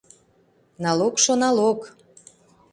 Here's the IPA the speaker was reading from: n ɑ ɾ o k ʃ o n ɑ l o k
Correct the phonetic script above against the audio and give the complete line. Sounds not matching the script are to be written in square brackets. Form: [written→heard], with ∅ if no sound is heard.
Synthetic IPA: n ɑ [ɾ→l] o k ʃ o n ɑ l o k